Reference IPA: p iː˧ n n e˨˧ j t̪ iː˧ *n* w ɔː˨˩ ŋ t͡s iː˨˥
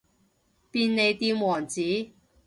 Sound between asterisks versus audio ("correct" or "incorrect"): incorrect